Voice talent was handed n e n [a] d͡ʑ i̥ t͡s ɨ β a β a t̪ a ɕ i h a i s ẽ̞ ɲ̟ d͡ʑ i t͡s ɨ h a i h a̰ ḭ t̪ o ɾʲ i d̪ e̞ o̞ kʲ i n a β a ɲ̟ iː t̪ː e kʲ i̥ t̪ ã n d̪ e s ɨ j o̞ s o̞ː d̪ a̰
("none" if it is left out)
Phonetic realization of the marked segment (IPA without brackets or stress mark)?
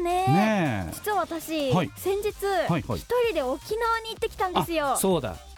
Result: e